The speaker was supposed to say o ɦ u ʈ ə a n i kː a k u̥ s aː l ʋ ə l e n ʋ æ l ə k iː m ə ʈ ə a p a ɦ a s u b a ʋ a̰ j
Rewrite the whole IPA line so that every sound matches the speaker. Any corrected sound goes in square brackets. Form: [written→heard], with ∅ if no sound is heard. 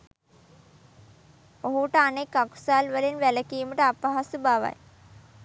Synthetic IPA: o ɦ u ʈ ə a n [i→e] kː a k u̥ s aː l ʋ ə l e n ʋ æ l ə k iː m ə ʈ ə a p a ɦ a s u b a ʋ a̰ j